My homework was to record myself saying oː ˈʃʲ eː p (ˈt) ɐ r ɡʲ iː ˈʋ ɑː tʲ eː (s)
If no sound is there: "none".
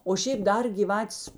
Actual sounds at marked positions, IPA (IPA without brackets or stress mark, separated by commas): d, s